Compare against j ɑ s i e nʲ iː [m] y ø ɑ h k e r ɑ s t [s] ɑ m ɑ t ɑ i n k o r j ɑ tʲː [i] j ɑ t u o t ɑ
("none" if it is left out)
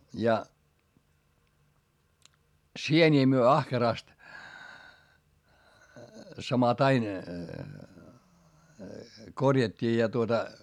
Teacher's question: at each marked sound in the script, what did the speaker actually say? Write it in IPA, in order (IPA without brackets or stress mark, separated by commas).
m, s, iː